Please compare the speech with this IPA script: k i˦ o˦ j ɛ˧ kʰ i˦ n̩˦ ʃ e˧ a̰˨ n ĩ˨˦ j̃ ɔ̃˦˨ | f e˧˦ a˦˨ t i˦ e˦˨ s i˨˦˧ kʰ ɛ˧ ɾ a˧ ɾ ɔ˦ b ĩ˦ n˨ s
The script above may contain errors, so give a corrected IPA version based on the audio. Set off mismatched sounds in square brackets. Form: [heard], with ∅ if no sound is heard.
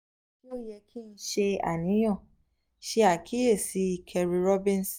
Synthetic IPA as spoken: k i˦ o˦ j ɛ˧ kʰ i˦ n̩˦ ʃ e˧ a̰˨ n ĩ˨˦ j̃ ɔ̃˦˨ | [ʃ] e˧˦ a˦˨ [k] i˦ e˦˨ s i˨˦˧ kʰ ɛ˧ ɾ [i˧] ɾ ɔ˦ b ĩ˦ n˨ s